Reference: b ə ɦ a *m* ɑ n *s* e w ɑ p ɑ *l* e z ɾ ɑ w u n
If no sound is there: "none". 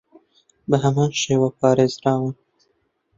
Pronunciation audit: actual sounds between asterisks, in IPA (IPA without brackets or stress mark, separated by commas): m, ʃ, ɾ